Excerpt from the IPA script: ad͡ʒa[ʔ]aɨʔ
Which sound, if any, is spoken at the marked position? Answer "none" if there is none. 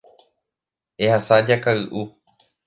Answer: k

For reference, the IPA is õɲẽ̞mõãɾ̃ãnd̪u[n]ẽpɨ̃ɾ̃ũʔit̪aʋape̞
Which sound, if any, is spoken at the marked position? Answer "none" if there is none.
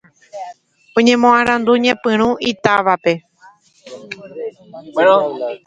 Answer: ɲ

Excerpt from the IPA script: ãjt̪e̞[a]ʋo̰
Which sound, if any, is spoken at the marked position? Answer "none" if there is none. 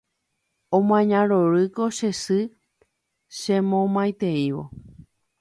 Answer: i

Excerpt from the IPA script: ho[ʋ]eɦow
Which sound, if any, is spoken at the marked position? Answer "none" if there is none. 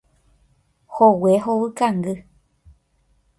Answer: w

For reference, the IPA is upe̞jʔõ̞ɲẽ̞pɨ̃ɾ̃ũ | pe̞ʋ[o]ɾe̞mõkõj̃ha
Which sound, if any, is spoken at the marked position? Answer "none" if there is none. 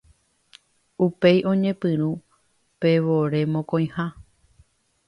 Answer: o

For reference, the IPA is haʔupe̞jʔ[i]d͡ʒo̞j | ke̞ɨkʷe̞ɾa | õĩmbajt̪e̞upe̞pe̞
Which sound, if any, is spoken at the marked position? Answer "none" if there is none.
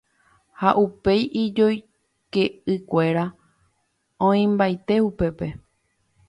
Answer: i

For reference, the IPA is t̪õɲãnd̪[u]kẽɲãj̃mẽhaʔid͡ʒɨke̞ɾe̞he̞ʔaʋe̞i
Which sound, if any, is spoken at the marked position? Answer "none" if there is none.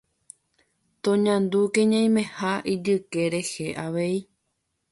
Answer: u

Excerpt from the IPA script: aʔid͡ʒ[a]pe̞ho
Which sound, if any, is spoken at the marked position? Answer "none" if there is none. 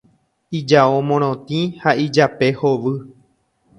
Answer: a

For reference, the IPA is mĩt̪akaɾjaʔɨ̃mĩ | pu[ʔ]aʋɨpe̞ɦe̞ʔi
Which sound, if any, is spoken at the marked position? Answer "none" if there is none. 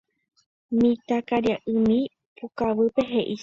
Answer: k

